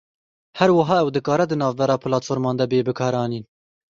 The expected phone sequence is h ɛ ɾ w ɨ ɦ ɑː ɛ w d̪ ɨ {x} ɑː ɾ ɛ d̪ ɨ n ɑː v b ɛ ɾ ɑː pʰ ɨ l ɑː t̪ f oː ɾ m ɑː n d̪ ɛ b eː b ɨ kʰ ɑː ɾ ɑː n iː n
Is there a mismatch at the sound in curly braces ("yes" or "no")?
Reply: yes